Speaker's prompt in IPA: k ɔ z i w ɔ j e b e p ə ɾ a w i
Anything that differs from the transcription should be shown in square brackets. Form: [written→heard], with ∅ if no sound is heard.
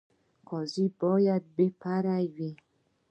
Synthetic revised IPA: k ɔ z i [w→b] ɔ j [e→a] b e p [ə→a] ɾ a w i